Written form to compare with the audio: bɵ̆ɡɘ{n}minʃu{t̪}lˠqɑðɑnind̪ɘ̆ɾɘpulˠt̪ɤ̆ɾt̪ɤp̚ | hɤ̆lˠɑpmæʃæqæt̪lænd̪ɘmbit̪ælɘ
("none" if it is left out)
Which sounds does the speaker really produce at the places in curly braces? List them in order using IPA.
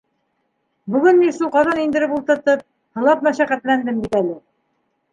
n, none

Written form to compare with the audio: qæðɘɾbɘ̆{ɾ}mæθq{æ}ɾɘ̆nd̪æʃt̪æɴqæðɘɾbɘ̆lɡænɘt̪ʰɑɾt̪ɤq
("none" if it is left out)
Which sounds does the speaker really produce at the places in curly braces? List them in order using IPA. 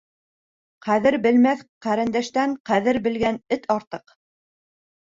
l, æ

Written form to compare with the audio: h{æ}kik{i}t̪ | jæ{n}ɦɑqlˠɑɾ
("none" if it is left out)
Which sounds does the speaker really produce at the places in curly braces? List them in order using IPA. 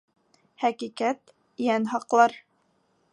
æ, æ, n

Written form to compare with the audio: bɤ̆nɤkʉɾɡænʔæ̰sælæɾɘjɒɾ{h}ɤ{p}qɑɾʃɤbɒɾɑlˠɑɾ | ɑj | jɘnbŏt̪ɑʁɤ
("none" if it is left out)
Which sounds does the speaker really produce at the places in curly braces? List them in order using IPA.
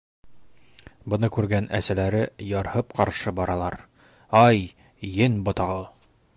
h, p

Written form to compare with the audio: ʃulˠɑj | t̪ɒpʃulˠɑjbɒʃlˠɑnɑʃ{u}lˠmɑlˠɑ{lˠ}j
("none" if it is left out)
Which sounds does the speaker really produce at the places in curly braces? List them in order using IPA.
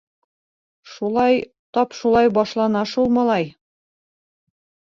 u, none

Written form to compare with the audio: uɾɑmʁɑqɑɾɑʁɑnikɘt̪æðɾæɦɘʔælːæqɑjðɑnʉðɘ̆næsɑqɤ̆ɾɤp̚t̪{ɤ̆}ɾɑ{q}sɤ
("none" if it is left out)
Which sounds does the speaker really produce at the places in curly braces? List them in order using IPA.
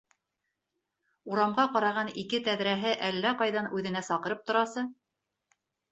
ŏ, none

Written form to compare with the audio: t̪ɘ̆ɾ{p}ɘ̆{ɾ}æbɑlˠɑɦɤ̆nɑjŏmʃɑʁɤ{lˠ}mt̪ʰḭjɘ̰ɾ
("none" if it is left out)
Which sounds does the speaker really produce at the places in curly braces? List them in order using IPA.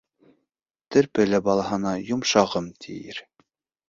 p, l, none

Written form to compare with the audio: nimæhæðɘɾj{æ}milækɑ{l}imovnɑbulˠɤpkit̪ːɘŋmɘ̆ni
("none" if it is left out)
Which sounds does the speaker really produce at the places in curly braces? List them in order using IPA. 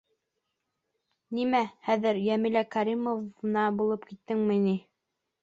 æ, ɾ

